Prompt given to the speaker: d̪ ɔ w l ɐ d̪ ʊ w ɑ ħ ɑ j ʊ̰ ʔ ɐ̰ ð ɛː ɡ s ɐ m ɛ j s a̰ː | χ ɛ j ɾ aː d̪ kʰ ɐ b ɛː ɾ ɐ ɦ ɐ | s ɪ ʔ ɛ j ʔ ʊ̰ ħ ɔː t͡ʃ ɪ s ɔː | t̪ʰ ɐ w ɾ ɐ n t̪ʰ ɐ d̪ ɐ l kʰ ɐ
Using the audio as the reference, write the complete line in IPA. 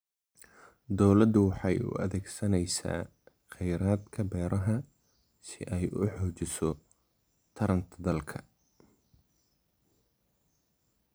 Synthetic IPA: d̪ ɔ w l ɐ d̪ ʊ w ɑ ħ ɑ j ʊ̰ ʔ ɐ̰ ð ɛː ɡ s ɐ n ɛ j s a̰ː | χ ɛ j ɾ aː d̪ kʰ ɐ b ɛː ɾ ɐ ɦ ɐ | s ɪ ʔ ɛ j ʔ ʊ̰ ħ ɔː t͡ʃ ɪ s ɔ | t̪ʰ ɐ ɾ ɐ n t̪ʰ ɐ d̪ ɐ l kʰ ɐ

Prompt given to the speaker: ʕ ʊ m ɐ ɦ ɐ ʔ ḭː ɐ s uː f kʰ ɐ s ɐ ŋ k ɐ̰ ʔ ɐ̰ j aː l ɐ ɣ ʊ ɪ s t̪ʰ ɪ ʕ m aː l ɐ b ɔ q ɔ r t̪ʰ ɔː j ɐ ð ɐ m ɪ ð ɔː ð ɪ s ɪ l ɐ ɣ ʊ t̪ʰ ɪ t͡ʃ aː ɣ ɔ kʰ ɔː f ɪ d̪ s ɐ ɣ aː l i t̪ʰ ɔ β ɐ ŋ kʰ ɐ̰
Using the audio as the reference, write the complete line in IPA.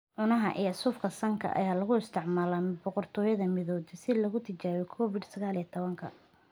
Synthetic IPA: ʕ ʊ n ɐ ɦ ɐ ʔ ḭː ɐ s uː f kʰ ɐ s ɐ ŋ kʰ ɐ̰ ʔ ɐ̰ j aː l ɐ ɣ ʊ ɪ s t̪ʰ ɪ ʕ m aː l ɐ b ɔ q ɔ r t̪ʰ ɔː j ɐ ð ɐ m ɪ ð ɔː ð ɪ s ɪ l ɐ ɣ ʊ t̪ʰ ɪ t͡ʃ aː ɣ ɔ kʰ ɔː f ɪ d̪ s ɐ ɣ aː l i t̪ʰ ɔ β ɐ ŋ kʰ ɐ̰

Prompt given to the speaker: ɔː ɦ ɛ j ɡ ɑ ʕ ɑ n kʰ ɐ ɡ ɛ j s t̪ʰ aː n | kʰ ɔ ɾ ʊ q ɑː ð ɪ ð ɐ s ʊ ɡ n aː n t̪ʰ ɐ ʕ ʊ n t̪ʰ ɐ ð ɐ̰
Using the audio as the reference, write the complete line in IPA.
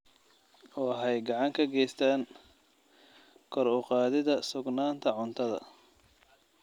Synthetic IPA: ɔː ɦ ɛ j ɡ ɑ ʕ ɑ ŋ kʰ ɐ ɡ ɛ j s t̪ʰ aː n | kʰ ɔ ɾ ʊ q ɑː ð ɪ ð ɐ s ʊ ɡ n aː n t̪ʰ ɐ ʕ ʊ n t̪ʰ ɐ ð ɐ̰

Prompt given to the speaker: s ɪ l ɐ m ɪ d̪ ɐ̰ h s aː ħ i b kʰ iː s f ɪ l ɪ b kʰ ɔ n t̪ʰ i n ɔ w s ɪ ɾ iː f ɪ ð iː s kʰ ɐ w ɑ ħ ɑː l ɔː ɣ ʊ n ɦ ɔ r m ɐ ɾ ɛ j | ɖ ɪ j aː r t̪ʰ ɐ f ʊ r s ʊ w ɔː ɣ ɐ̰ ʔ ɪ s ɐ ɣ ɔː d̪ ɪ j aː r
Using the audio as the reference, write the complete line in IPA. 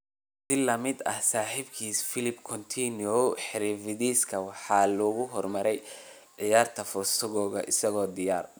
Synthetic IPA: s ɪ l ɐ m ɪ d̪ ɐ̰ h s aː ħ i b kʰ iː s f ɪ l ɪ b kʰ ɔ n t̪ʰ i n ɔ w ħ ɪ ɾ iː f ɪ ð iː s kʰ ɐ w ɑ ħ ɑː l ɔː ɣ ʊ ɦ ɔ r m ɐ ɾ ɛ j | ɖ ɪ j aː r t̪ʰ ɐ f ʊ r s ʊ ɣ ɔː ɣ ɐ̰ ʔ ɪ s ɐ ɣ ɔː d̪ ɪ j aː r

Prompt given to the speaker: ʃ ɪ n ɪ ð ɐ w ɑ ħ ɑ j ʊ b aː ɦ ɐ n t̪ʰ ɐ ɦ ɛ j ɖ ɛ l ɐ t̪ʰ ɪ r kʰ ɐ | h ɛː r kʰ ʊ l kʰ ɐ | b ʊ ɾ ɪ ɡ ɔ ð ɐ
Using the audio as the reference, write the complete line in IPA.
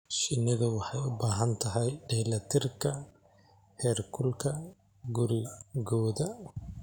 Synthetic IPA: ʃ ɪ n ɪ ð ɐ w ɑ ħ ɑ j ʊ b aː ɦ ɐ n t̪ʰ ɐ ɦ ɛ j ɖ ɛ l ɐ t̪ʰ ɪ r kʰ ɐ | h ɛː r kʰ ʊ l kʰ ɐ | ɡ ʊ ɾ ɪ ɡ ɔː ð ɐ

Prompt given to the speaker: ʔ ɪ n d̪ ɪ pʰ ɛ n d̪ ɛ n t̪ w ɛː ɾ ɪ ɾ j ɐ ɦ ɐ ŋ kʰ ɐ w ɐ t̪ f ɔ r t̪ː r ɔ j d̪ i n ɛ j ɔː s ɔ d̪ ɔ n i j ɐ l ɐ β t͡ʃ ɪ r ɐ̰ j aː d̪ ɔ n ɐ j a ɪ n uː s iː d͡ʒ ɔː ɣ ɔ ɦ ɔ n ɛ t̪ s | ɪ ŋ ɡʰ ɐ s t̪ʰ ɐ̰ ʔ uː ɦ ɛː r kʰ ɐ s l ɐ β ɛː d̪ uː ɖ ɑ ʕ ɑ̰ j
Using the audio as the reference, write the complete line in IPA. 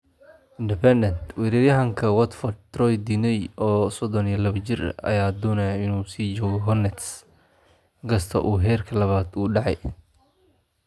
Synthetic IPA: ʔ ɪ n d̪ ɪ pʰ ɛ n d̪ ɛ n t̪ w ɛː ɾ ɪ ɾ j ɐ ɦ ɐ ŋ kʰ ɐ w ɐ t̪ f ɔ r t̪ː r ɔ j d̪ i n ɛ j ɔː s ɔ d̪ ɔ n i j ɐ l ɐ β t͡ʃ ɪ r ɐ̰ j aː d̪ ɔ n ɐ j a ɪ n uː s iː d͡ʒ ɔː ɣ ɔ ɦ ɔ n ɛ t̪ s | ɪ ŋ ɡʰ ɐ s t̪ʰ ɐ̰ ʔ uː ɦ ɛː r kʰ ɐ l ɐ β aː d̪ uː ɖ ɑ ʕ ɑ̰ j

